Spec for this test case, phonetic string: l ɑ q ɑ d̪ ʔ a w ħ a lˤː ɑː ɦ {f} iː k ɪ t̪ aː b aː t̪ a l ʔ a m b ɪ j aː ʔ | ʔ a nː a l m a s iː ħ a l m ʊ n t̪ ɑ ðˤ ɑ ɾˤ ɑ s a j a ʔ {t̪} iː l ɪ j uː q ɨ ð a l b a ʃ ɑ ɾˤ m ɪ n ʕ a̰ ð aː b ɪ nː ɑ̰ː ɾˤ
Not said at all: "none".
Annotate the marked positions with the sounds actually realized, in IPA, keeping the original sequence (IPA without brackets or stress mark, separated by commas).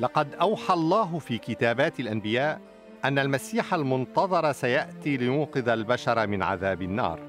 f, t̪